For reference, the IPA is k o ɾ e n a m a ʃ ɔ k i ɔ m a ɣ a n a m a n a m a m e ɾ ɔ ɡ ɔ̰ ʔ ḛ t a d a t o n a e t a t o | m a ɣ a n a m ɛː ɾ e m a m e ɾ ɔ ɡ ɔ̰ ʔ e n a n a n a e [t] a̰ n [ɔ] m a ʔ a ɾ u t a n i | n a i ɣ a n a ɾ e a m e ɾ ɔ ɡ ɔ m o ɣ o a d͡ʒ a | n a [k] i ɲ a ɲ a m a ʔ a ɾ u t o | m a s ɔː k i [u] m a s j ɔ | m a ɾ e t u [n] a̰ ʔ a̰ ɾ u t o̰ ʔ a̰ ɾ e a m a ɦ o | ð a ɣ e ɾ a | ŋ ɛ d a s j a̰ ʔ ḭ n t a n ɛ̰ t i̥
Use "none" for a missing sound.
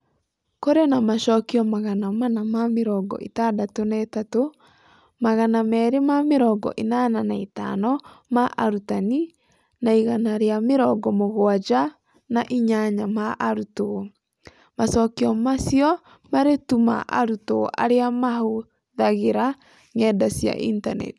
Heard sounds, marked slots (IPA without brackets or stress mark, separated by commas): t, ɔ, ʔ, ɔ, m